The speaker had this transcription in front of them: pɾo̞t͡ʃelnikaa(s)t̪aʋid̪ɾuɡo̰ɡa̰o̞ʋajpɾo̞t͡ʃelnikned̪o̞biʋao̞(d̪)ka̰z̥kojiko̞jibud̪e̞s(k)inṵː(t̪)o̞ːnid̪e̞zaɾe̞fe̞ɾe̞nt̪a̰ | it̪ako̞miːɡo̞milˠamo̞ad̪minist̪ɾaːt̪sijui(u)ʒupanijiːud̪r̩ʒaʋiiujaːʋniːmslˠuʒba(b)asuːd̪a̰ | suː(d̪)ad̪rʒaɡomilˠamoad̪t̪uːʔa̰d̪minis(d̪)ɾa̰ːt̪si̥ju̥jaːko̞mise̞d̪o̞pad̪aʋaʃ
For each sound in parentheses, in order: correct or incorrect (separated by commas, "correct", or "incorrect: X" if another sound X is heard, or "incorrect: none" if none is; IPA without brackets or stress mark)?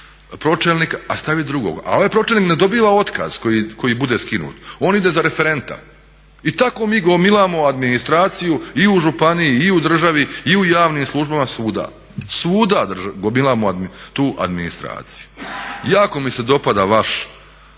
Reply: correct, incorrect: t̪, correct, correct, correct, incorrect: m, correct, incorrect: t̪